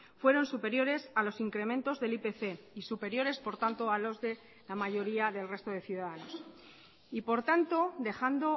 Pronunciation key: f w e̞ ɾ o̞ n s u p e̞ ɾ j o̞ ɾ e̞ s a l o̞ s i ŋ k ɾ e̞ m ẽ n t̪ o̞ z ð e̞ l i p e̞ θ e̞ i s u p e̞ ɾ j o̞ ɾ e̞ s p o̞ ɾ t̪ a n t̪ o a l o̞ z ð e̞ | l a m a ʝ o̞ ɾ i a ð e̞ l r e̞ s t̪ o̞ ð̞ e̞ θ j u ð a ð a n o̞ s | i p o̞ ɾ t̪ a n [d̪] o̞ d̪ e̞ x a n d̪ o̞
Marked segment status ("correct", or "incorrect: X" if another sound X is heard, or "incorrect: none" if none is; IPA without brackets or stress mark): incorrect: t̪